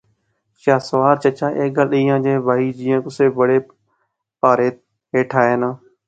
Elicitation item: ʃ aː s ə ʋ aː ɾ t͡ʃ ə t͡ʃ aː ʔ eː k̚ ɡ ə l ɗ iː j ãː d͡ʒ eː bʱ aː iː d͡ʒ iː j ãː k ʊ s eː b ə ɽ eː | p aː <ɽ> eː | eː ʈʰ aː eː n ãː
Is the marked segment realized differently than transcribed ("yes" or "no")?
yes